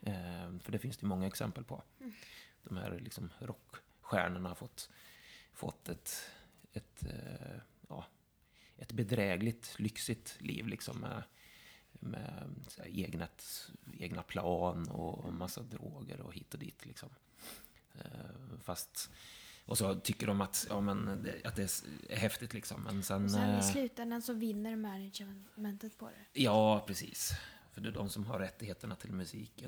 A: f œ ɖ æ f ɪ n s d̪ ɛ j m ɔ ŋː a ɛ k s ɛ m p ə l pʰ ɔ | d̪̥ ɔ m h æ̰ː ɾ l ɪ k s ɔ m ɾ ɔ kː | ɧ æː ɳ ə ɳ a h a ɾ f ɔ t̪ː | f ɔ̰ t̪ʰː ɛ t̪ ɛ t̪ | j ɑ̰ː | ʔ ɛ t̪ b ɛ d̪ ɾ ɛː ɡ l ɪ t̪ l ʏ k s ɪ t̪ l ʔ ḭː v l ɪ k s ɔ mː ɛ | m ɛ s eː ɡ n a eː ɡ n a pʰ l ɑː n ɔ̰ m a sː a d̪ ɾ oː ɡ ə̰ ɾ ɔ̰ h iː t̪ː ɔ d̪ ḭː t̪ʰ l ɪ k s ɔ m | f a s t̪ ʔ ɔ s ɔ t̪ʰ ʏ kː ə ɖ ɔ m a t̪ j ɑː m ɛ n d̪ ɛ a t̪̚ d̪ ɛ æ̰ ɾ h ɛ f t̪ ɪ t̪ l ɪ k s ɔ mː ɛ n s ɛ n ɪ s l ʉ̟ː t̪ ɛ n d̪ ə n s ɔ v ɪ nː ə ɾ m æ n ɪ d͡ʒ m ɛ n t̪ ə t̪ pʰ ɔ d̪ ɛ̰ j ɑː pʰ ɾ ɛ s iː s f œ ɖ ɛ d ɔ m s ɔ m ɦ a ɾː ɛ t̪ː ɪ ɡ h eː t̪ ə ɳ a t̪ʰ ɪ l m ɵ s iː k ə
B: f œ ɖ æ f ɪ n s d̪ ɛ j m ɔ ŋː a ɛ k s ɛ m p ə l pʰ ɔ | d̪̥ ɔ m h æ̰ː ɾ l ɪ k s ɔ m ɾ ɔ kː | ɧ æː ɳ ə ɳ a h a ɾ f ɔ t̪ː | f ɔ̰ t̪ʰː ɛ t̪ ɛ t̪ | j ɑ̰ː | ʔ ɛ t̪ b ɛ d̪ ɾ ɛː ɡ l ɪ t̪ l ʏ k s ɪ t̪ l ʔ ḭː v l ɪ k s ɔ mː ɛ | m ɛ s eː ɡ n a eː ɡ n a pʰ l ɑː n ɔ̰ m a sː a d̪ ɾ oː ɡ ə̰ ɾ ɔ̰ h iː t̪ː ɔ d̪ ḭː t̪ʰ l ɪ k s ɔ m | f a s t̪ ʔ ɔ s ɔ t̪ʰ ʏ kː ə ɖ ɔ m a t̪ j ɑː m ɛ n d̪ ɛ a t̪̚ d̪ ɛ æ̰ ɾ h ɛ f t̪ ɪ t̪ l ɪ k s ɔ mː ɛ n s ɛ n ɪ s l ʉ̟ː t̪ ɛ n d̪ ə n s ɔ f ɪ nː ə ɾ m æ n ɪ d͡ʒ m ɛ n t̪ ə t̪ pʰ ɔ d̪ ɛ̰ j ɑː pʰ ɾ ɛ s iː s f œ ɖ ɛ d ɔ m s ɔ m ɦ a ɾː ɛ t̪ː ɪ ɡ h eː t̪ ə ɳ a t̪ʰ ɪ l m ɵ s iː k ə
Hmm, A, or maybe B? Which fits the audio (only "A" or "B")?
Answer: A